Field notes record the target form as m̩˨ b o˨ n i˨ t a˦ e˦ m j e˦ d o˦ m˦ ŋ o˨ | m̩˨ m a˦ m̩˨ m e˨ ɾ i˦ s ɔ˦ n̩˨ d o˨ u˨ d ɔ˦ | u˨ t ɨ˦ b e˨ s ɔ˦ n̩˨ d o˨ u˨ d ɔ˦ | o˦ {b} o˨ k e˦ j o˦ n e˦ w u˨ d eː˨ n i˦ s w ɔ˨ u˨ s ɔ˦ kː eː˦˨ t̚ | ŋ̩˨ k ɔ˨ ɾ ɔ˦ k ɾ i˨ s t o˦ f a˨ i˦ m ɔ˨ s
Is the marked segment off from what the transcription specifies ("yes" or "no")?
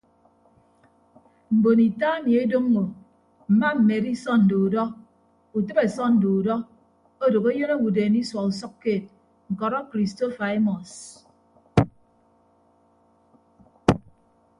yes